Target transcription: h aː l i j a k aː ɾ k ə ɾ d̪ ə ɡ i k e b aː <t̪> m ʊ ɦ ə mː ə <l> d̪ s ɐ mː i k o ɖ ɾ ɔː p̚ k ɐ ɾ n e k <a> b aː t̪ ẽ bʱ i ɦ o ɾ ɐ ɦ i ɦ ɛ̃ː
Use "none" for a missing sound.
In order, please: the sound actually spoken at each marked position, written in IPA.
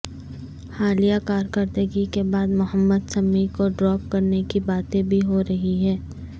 d̪, none, i

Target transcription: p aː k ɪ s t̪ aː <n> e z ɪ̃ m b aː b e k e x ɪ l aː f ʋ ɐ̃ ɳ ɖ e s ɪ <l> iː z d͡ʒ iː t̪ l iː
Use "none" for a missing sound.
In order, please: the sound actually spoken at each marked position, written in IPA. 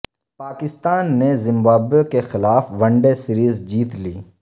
nː, ɾ

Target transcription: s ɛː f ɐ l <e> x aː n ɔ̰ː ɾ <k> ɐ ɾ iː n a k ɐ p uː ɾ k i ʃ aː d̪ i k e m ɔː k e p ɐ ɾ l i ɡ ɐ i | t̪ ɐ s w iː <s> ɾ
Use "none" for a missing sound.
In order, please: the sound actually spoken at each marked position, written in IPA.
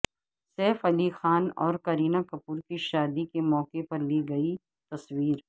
i, k, none

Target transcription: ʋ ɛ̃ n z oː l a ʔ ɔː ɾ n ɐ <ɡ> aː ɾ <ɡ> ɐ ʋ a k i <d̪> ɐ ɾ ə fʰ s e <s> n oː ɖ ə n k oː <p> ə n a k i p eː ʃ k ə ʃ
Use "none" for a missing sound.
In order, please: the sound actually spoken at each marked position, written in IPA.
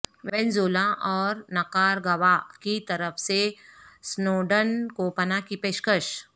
k, ɡ, t̪, s, p

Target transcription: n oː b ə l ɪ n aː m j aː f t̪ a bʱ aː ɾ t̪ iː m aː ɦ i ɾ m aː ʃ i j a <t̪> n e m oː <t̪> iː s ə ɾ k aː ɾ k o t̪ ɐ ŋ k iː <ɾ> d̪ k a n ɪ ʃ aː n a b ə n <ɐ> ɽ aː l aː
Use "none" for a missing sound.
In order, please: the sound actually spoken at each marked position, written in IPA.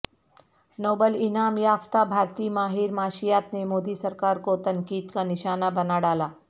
t̪, d̪, none, a

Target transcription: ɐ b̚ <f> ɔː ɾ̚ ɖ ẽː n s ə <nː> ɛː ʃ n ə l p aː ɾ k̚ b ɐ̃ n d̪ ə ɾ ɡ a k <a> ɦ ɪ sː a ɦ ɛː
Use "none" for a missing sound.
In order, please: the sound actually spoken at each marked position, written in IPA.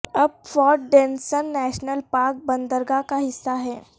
f, nː, a

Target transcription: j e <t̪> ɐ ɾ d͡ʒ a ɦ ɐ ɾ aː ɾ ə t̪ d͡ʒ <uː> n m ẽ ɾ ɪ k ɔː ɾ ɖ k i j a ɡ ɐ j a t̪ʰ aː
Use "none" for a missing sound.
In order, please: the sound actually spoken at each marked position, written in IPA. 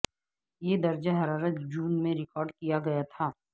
d̪, uː

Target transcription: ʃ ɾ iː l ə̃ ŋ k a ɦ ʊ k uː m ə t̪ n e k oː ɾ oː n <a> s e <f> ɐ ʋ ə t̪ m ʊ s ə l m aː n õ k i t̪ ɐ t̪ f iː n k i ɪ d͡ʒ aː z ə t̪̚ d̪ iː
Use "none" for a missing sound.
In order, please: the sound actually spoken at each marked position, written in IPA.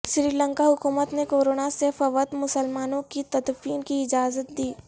a, f

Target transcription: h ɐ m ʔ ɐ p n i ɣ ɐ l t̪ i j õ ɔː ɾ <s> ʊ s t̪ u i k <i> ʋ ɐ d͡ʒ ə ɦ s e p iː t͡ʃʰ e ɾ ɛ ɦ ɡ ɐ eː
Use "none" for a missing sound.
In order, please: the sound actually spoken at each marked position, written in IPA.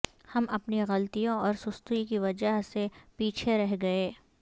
s, i

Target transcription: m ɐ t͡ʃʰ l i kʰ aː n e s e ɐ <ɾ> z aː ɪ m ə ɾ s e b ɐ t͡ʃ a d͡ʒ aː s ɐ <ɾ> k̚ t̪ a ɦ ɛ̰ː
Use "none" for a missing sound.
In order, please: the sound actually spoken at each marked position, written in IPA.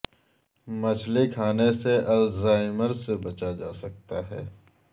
l, none

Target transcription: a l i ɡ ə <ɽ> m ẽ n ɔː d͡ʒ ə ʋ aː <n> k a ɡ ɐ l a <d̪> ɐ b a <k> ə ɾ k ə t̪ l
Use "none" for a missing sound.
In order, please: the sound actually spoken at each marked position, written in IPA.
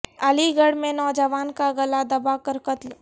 ɽ, n, d̪, k

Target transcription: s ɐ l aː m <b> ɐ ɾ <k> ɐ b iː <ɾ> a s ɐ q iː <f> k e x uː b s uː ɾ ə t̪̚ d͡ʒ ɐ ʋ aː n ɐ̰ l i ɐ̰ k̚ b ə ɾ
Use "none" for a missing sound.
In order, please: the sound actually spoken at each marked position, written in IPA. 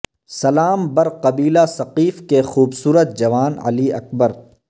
b, q, l, f

